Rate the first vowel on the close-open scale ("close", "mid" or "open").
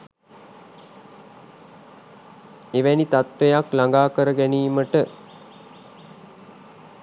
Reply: mid